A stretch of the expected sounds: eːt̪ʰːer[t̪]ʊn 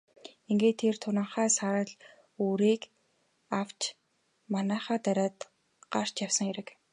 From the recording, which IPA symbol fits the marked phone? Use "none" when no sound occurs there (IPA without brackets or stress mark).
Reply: t̪ʰ